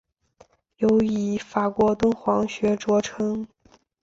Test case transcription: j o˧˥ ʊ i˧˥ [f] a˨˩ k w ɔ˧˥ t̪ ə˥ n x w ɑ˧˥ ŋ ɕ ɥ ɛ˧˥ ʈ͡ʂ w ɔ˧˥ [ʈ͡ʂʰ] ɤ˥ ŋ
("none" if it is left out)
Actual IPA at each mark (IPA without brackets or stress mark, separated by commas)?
f, ʈ͡ʂʰ